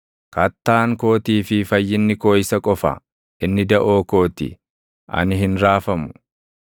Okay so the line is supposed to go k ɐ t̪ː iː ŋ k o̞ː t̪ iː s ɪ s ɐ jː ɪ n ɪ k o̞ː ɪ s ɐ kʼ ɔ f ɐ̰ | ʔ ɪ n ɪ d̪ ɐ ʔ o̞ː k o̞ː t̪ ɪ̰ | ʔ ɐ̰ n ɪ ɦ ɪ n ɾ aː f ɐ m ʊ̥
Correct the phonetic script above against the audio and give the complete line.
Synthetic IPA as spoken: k ɐ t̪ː aː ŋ k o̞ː t̪ iː f ɪ f ɐ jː ɪ nː ɪ k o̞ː ɪ s ɐ kʼ ɔ f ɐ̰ | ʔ ɪ nː ɪ d̪ ɐ ʔ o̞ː k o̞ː t̪ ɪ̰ | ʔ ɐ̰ n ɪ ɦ ɪ n ɾ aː f ɐ m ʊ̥